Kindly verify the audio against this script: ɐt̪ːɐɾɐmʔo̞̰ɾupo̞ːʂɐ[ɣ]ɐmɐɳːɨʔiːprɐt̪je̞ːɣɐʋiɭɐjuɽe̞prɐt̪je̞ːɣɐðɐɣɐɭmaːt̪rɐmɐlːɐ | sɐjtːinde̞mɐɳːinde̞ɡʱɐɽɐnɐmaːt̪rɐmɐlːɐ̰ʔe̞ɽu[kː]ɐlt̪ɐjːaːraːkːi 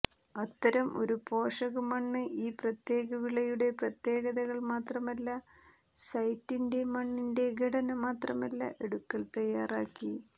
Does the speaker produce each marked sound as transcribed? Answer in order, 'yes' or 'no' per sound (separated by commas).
yes, yes